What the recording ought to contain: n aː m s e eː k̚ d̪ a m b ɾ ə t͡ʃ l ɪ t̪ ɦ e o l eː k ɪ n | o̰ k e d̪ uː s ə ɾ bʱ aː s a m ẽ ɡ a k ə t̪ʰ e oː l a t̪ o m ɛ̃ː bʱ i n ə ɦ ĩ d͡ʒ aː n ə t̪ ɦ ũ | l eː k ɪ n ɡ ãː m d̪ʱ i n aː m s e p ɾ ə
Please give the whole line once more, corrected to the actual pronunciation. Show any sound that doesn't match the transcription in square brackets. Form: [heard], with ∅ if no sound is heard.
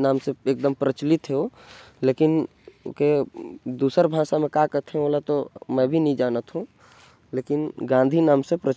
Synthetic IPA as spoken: n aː m s e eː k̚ d̪ [ə] m [p] ɾ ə t͡ʃ l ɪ t̪ ɦ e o l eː k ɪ n | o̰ k e d̪ uː s ə ɾ bʱ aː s a m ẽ [k] a k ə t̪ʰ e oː l a t̪ o m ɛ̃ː bʱ i n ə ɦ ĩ d͡ʒ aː n ə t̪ ɦ ũ | l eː k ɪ n ɡ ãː [n] d̪ʱ i n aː m s e p ɾ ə